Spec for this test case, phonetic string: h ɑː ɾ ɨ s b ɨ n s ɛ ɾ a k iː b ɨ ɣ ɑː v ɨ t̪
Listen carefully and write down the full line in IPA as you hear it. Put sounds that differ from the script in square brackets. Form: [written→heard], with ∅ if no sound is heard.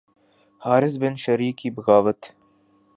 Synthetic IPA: h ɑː ɾ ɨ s b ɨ n [s→ʃ] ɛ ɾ [a→i] k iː b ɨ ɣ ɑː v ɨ t̪